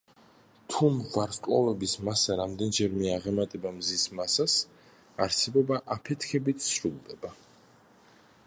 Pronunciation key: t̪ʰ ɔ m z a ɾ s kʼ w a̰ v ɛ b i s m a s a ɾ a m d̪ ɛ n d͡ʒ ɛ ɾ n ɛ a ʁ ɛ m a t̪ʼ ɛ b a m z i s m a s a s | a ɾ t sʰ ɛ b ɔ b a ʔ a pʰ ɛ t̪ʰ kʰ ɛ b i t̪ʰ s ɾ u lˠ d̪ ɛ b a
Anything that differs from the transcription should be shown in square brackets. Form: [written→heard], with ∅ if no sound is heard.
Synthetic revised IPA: t̪ʰ [ɔ→u] m [z→v] a ɾ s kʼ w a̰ v ɛ b i s m a s a ɾ a m d̪ ɛ n d͡ʒ ɛ ɾ [n→m] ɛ a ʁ ɛ m a t̪ʼ ɛ b a m z i s m a s a s | a ɾ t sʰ ɛ b ɔ b a ʔ a pʰ ɛ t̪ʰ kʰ ɛ b i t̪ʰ s ɾ u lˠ d̪ ɛ b a